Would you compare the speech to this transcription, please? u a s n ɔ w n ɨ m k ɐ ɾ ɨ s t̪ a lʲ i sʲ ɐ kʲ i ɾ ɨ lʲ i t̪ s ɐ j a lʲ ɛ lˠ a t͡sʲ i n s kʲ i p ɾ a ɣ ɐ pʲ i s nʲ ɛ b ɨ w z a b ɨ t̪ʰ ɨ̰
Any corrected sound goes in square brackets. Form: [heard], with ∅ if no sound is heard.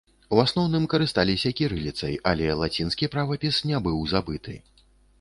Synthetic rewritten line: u a s n ɔ w n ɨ m k ɐ ɾ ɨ s t̪ a lʲ i sʲ ɐ kʲ i ɾ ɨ lʲ i t̪ s ɐ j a lʲ ɛ lˠ a t͡sʲ i n s kʲ i p ɾ a [v] ɐ pʲ i s nʲ ɛ b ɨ w z a b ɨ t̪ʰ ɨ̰